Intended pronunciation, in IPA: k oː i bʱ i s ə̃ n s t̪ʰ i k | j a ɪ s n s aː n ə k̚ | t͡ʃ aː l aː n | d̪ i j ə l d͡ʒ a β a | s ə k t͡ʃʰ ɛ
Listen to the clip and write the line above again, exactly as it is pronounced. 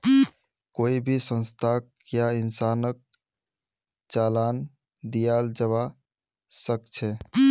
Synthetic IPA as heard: k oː i bʱ i s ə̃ n s t̪ʰ a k | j a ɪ n s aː n ə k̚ | t͡ʃ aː l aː n | d̪ i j a l d͡ʒ ə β a | s ə k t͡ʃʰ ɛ